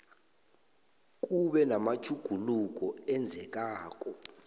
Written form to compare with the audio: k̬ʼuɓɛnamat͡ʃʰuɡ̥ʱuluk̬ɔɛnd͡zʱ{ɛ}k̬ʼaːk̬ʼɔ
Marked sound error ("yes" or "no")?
no